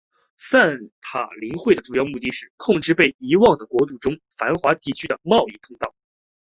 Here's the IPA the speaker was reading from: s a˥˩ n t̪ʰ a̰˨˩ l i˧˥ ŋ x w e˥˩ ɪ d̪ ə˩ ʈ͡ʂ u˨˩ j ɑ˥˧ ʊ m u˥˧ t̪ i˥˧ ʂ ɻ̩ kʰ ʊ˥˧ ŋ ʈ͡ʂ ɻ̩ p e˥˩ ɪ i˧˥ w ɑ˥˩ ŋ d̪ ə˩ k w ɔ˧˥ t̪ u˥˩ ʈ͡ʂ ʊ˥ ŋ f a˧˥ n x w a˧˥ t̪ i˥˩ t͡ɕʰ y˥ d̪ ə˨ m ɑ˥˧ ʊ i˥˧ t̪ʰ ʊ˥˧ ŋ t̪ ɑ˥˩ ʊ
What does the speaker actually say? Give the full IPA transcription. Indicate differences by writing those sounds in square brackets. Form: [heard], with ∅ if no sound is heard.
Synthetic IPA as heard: s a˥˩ n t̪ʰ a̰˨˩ l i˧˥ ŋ x w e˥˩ ɪ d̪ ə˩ ʈ͡ʂ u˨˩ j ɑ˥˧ ʊ m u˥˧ t̪ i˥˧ ʂ ɻ̩ kʰ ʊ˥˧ ŋ ʈ͡ʂ ɻ̩ p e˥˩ ɪ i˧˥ w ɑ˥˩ ŋ d̪ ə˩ k w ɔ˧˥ t̪ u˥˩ ʈ͡ʂ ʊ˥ ŋ f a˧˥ n x w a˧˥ t̪ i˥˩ t͡ɕʰ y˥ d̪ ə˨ m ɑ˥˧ ʊ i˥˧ t̪ʰ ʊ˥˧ ŋ t̪ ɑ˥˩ ʊ